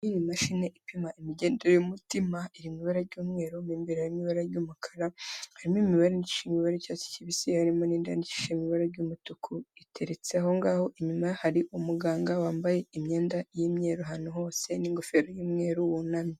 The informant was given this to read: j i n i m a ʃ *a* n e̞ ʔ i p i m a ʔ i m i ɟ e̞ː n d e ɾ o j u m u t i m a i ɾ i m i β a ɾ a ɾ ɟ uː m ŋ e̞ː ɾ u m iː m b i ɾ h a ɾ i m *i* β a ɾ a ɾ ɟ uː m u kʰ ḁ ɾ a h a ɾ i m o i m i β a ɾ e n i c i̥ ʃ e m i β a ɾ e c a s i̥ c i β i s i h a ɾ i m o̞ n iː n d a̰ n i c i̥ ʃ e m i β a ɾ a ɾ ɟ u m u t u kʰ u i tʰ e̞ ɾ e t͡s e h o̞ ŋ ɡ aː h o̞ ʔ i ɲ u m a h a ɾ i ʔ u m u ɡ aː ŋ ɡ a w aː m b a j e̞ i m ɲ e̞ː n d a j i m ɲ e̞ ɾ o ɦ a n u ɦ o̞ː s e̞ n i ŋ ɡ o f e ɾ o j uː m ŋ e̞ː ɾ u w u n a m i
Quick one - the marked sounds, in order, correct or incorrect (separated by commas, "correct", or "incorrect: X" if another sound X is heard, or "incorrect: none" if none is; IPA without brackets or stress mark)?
incorrect: i, correct